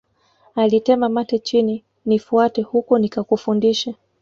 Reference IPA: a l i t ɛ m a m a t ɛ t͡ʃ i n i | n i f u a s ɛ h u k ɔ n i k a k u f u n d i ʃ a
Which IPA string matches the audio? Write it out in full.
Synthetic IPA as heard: a l i t ɛ m a m a t ɛ t͡ʃ i n i | n i f u a t ɛ h u k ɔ n i k a k u f u n d i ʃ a